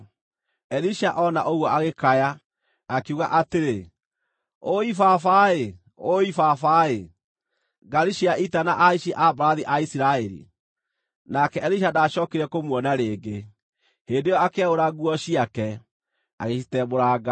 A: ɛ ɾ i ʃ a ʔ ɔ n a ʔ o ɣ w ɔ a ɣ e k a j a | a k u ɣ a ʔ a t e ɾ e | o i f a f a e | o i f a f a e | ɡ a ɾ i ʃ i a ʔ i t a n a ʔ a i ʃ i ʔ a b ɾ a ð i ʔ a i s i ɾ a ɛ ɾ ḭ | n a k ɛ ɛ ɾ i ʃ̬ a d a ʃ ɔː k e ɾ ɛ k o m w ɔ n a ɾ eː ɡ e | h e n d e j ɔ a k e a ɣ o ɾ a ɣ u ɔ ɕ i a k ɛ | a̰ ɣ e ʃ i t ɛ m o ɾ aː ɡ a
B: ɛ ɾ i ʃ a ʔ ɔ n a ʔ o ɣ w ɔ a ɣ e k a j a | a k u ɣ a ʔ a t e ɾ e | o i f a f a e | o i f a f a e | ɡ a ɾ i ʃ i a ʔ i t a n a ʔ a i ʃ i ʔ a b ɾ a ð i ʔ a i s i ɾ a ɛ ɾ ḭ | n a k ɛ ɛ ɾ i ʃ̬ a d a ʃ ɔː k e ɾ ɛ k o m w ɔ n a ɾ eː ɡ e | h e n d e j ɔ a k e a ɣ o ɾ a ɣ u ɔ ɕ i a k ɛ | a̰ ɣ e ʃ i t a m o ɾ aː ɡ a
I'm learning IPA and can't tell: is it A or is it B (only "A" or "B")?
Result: A